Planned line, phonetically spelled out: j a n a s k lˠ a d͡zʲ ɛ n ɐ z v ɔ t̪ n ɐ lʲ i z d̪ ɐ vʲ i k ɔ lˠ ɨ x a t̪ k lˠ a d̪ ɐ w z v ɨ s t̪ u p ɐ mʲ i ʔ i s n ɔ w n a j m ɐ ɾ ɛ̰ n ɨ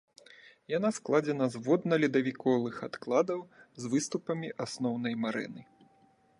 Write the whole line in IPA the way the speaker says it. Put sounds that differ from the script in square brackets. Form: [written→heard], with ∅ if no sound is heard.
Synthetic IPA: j a n a s k lˠ a d͡zʲ ɛ n ɐ z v ɔ [t̪→d̪] n ɐ lʲ i [z→∅] d̪ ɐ vʲ i k ɔ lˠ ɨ x a t̪ k lˠ a d̪ ɐ w z v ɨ s t̪ u p ɐ mʲ i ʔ [i→a] s n ɔ w n [a→ɐ] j m [ɐ→a] ɾ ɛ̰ n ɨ